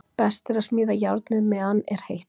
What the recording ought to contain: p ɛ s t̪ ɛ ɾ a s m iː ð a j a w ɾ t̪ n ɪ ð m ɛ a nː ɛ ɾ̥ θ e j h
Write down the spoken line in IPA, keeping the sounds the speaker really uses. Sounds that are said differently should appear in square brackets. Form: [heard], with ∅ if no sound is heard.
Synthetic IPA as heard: p ɛ s t̪ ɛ ɾ a s m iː ð a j a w ɾ t̪ n ɪ ð m ɛ a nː ɛ ɾ̥ [h] e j h